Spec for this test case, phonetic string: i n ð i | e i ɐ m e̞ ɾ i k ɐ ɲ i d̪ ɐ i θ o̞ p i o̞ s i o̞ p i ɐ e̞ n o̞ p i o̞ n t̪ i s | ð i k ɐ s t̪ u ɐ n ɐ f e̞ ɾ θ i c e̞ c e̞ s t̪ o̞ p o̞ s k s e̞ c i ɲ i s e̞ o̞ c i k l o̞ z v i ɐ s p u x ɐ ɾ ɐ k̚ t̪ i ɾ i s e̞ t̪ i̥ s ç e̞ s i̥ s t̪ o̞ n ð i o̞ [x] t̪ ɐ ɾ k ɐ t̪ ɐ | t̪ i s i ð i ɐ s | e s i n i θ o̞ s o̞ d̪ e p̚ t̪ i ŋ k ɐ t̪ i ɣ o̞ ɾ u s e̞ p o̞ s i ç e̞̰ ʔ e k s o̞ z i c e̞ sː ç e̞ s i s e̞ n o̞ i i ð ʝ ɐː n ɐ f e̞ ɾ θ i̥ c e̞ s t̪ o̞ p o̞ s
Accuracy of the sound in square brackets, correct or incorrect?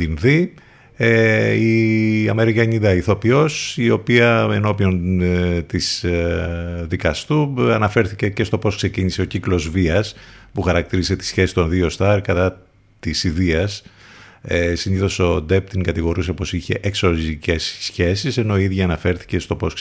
incorrect